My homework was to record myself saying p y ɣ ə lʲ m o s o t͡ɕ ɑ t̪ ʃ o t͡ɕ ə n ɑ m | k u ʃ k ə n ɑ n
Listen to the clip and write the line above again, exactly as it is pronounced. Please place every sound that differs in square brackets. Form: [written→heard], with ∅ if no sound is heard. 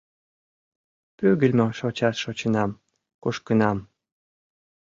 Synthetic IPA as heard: p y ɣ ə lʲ m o [s→ʃ] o t͡ɕ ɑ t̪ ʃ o t͡ɕ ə n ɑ m | k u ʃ k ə n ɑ [n→m]